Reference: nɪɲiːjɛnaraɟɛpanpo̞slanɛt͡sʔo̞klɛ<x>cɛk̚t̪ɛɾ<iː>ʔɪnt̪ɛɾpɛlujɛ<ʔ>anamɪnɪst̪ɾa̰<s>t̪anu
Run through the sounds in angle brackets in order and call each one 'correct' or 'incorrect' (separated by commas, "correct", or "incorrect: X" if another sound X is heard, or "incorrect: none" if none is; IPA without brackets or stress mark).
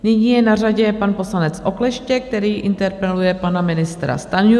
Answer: incorrect: ʃ, correct, incorrect: p, correct